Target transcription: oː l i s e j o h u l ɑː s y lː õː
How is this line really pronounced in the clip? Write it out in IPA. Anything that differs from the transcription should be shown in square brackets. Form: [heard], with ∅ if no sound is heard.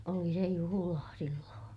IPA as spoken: [o] l i s e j [u] h u l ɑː s [i] lː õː